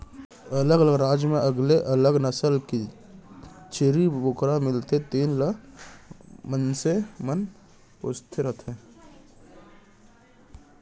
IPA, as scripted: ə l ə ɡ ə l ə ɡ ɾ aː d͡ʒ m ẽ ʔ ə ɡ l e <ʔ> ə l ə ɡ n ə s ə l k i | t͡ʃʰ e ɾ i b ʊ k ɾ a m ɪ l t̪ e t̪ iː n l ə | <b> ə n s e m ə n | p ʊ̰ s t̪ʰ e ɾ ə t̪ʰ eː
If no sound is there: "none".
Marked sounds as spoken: ʔ, m

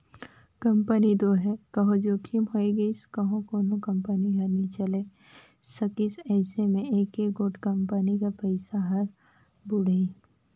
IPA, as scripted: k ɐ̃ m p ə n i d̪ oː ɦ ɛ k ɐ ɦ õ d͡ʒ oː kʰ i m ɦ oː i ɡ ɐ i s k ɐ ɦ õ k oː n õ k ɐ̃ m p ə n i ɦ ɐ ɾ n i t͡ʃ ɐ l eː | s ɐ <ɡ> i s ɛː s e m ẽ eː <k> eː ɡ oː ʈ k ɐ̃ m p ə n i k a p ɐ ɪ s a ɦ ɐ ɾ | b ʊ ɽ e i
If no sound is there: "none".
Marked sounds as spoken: k, k

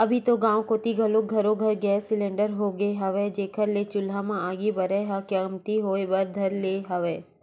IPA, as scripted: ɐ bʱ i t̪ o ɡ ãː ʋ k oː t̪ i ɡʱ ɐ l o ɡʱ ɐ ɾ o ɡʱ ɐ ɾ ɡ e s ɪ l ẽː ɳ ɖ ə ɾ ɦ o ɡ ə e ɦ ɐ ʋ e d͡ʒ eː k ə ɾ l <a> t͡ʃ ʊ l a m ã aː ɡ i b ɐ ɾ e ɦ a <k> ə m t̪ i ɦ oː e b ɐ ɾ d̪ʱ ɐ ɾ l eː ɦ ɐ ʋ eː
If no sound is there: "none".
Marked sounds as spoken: e, k

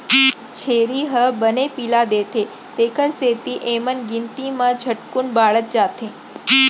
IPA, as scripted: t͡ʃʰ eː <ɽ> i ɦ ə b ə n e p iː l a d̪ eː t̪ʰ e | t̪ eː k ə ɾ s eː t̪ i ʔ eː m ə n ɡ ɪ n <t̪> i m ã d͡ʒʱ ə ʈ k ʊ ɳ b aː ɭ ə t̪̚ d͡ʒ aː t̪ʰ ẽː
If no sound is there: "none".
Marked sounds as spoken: ɾ, t̪

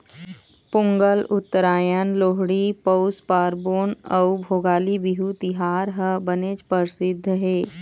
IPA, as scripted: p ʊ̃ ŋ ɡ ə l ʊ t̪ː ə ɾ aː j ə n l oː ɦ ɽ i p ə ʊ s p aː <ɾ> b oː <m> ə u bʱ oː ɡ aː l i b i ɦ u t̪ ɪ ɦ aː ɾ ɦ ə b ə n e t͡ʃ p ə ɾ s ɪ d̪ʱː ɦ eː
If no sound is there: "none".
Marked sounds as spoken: ɾ, n

